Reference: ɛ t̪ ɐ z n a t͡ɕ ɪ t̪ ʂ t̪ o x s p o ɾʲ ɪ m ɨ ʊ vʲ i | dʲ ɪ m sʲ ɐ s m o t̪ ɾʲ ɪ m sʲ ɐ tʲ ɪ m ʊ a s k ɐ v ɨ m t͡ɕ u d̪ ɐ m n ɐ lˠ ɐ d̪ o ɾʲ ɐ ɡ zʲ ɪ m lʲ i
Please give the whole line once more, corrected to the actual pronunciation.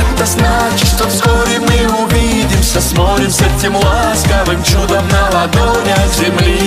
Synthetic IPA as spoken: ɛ t̪ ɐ z n a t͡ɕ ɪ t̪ ʂ t̪ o f s k o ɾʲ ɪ m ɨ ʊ vʲ i | dʲ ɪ m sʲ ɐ s m o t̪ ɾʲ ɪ m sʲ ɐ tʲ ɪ m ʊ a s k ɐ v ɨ m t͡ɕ u d̪ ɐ m n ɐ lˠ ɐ d̪ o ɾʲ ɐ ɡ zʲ ɪ m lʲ i

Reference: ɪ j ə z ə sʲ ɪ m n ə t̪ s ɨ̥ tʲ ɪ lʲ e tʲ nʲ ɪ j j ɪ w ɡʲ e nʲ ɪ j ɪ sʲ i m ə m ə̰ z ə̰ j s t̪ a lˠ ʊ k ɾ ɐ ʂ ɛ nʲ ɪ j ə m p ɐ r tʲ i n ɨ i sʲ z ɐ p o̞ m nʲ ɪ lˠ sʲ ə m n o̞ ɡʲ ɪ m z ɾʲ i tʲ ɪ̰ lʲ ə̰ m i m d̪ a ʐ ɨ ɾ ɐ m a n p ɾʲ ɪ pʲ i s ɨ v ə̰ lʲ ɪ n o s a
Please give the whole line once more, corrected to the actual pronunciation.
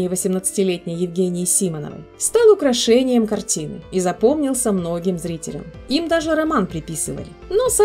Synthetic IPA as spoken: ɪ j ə v ə sʲ ɪ m n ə t̪ s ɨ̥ tʲ ɪ lʲ e tʲ nʲ ɪ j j ɪ v ɡʲ e nʲ ɪ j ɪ sʲ i m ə n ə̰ v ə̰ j s t̪ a lˠ ʊ k ɾ ɐ ʂ ɛ nʲ ɪ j ə m k ɐ r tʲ i n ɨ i z ɐ p o̞ m nʲ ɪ lˠ sʲ ə m n o̞ ɡʲ ɪ m z ɾʲ i tʲ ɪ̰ lʲ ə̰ m i m d̪ a ʐ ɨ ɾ ɐ m a n p ɾʲ ɪ pʲ i s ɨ v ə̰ lʲ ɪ n o s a

